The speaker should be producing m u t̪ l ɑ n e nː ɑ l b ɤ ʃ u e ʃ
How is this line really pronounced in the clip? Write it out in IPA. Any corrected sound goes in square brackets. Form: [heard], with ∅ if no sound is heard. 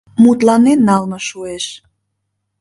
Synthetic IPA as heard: m u t̪ l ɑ n e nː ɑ l [m] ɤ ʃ u e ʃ